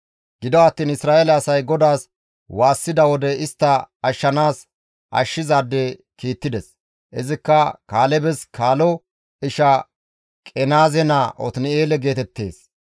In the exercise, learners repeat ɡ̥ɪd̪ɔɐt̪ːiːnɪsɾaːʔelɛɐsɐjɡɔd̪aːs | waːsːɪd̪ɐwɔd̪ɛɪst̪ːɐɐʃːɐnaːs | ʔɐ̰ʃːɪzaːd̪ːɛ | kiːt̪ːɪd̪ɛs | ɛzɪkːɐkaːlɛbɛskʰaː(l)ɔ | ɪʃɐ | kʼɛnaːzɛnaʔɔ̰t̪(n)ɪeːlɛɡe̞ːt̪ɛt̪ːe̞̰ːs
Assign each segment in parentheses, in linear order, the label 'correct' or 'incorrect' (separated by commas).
correct, correct